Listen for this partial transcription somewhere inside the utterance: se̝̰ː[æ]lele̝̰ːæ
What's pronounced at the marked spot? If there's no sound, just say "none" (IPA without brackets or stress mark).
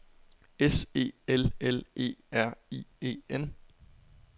e